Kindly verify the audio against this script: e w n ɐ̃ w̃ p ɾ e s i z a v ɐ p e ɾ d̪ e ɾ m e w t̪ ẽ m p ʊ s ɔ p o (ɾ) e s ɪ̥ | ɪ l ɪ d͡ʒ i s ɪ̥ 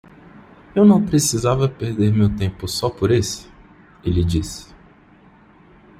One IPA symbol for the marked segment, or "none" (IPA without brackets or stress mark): ɾ